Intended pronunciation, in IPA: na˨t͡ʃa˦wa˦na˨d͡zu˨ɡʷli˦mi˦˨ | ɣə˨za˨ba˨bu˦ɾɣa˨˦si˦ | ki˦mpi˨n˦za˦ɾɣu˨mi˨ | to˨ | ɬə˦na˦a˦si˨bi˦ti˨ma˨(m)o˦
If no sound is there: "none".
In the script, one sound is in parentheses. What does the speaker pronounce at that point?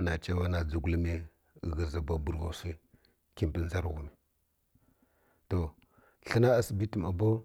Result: b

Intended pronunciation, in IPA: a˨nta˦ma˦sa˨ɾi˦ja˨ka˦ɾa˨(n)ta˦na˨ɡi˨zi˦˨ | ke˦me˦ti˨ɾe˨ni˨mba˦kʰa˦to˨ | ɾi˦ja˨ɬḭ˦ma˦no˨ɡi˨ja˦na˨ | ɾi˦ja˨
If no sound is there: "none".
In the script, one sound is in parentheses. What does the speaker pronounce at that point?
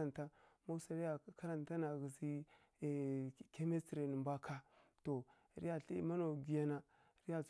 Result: n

